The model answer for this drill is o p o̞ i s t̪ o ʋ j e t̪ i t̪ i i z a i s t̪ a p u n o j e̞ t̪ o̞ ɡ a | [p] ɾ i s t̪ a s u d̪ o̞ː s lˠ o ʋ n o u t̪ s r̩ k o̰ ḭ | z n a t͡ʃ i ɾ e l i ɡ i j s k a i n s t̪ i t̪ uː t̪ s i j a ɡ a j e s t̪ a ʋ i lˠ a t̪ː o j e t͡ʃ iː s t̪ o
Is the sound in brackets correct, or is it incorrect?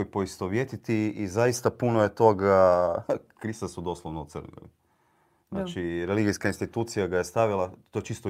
incorrect